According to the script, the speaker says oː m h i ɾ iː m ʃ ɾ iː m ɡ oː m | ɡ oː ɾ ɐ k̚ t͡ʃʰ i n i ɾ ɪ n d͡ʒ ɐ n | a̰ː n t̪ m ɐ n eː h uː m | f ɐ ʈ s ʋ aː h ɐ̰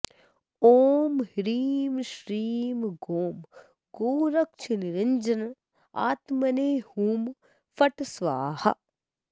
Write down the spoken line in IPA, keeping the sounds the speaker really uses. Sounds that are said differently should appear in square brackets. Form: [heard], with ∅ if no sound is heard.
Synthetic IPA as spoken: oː m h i ɾ iː m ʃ ɾ iː m ɡ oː m | ɡ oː ɾ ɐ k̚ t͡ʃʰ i n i ɾ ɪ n d͡ʒ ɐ n | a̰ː [∅] t̪ m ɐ n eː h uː m | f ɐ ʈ s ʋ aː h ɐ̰